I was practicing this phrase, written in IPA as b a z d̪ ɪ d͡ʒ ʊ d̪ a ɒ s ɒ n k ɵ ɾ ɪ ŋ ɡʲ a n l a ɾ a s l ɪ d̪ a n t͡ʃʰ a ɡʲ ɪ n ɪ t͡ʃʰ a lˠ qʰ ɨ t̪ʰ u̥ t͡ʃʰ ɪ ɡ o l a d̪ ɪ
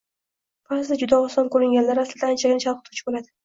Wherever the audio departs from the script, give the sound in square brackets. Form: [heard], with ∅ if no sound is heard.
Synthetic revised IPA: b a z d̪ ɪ d͡ʒ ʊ d̪ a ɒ s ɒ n k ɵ ɾ ɪ ŋ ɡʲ a n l a ɾ a s l ɪ d̪ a n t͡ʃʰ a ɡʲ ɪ n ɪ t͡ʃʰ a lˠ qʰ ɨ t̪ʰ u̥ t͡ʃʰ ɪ [b] o l a d̪ ɪ